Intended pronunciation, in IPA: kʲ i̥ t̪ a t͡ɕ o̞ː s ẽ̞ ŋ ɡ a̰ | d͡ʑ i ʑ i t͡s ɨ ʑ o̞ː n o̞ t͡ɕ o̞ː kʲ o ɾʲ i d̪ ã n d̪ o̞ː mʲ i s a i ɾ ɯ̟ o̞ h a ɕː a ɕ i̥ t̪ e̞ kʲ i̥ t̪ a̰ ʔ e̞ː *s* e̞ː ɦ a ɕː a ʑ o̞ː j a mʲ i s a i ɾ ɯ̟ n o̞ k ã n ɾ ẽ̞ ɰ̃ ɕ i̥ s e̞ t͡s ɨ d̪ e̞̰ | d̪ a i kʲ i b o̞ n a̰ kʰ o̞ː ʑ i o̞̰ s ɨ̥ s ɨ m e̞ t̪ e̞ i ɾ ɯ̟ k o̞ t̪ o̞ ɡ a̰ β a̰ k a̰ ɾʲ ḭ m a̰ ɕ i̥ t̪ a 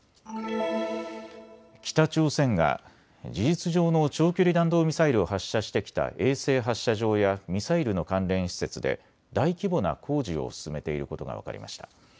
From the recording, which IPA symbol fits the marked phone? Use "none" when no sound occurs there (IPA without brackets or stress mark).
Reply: s